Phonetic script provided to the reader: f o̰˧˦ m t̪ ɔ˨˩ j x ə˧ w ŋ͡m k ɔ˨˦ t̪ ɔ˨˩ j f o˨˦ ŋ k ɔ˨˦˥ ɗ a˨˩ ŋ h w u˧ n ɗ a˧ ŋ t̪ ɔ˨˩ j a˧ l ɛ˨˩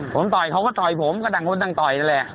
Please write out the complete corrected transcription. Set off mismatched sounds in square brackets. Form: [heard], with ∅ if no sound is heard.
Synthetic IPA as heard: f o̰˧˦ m t̪ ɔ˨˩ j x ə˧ w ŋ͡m k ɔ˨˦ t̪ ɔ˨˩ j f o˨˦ [m] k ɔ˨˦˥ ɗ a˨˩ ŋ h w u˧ n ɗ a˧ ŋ t̪ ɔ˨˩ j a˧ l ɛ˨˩